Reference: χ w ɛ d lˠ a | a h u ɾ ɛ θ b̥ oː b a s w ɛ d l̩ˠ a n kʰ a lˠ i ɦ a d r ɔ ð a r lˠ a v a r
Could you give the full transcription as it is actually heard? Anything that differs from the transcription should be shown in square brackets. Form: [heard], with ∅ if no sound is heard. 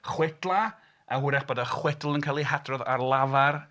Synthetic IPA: χ w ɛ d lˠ a | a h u ɾ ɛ [χ] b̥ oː [d] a [χ] w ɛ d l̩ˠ [ə] n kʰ a lˠ i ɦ a d r ɔ ð a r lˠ a v a r